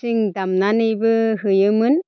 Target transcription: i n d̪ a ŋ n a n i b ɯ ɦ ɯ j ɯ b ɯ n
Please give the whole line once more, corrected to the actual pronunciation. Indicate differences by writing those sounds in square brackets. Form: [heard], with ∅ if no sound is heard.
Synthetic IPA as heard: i [ŋ] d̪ a [m] n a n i b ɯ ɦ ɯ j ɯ [m] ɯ n